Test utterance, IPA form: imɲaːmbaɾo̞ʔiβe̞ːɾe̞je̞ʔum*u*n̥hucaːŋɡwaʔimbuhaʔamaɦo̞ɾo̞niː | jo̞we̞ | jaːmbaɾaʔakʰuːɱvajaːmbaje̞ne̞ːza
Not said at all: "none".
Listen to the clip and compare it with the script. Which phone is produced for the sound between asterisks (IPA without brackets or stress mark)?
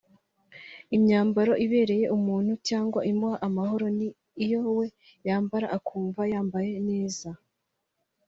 uː